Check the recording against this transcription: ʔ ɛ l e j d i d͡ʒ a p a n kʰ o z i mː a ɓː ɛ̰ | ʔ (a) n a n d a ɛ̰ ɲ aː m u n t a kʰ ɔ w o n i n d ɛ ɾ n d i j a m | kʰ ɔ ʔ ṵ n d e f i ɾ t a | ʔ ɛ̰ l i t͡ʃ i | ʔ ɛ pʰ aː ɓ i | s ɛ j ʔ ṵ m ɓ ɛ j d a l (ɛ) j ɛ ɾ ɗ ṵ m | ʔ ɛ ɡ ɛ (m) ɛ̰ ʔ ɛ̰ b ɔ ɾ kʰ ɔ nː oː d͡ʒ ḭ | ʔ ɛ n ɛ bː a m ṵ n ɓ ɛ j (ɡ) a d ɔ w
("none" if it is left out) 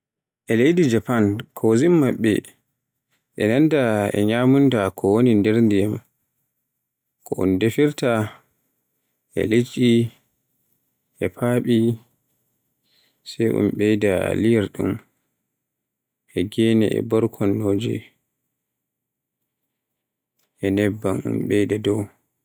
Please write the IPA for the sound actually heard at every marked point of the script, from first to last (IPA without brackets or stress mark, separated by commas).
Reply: ɛ, i, n, d